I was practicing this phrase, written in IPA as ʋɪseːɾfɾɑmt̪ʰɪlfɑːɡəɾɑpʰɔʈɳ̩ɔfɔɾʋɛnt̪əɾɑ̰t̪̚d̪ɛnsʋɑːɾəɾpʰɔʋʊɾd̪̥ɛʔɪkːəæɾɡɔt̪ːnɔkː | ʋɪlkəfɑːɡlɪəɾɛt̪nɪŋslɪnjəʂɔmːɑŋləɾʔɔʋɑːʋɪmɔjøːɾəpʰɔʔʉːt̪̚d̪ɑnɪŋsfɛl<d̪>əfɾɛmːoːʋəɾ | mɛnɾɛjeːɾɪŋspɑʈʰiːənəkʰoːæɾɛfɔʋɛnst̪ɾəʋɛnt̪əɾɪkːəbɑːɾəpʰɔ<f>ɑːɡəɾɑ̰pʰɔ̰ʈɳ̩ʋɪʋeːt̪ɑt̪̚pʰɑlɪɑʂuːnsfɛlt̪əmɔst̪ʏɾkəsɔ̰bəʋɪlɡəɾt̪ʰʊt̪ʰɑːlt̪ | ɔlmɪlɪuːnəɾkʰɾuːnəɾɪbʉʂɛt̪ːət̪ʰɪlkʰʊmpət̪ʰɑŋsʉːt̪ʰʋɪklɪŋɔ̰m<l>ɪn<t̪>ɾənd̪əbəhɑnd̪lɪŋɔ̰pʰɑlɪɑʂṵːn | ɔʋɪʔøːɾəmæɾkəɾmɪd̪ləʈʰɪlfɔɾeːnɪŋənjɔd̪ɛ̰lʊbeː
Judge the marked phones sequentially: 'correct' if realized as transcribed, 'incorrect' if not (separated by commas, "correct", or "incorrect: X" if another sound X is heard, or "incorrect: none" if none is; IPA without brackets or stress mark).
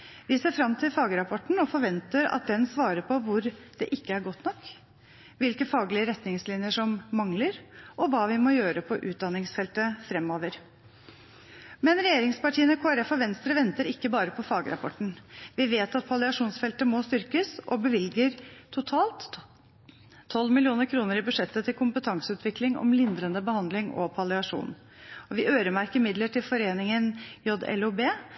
incorrect: t̪, correct, correct, incorrect: d̪